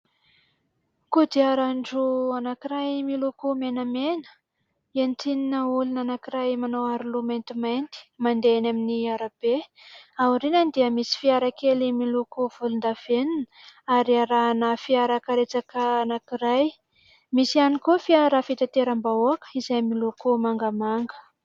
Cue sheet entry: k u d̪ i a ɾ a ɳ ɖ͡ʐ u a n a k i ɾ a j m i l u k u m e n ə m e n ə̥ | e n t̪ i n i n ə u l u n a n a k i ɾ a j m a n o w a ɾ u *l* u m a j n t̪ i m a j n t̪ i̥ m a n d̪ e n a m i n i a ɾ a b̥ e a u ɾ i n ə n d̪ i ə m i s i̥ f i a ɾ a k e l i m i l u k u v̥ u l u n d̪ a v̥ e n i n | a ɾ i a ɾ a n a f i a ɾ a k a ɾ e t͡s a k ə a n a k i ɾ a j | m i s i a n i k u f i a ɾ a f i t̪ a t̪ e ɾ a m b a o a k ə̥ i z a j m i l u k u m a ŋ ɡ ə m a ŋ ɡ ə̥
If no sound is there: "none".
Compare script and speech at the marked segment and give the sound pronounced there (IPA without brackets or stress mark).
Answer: l